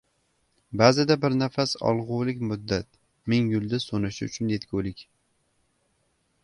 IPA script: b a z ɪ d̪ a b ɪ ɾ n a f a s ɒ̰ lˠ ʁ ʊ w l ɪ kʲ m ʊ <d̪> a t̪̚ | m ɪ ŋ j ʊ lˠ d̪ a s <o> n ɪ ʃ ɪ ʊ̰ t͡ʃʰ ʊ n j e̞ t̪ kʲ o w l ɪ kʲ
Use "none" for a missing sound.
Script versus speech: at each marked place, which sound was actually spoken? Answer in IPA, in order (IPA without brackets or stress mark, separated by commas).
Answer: d̪ː, o